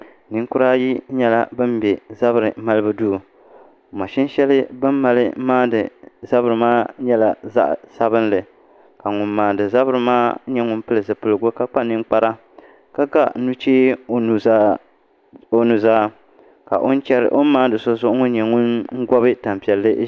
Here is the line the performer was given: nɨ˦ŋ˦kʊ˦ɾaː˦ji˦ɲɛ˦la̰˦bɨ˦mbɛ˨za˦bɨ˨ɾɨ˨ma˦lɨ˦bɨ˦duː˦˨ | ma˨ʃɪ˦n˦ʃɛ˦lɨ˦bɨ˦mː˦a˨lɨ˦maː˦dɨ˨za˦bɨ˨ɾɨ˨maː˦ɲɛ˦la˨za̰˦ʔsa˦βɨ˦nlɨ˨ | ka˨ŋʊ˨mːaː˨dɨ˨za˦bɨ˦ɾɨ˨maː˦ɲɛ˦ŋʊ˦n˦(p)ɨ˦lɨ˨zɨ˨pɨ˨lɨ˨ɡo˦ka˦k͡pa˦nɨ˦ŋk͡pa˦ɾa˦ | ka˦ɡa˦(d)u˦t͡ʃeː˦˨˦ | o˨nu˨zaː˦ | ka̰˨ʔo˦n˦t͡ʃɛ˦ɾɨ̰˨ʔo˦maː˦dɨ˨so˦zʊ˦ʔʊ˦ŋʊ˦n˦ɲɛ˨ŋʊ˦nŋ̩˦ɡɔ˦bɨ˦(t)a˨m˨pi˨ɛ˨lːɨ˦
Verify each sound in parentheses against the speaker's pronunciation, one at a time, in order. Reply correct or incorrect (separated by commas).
correct, incorrect, correct